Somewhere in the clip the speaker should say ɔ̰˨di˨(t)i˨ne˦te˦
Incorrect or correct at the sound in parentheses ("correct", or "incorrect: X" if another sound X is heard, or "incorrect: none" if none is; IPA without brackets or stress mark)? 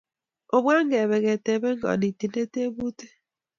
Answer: correct